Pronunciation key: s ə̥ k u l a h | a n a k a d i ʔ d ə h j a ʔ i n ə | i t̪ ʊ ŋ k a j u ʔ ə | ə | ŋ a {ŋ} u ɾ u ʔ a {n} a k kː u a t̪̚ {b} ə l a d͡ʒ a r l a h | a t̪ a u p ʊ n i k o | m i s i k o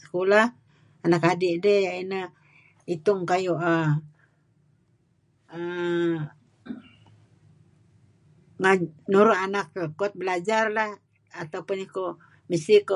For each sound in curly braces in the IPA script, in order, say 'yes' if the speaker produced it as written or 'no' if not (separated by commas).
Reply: no, yes, yes